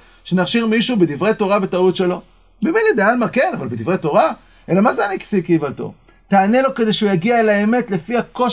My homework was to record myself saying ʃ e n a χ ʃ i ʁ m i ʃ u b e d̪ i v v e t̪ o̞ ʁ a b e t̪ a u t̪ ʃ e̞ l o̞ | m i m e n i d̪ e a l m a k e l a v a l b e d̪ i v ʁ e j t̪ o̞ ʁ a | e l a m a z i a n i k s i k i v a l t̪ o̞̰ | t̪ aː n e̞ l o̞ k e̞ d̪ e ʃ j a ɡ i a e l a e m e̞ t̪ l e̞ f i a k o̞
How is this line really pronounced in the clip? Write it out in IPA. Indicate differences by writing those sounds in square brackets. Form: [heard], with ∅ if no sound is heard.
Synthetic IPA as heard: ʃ e n a χ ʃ i ʁ m i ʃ u b e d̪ i v [ʁ] e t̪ o̞ ʁ a b e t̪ a u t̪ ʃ e̞ l o̞ | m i m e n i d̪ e a l m a k e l a v a l b e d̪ i v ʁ e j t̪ o̞ ʁ a | e l a m a z [e] a n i k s i k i v a l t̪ o̞̰ | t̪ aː n e̞ l o̞ k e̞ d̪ e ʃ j a ɡ i a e l a e m e̞ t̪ l e̞ f i a k o̞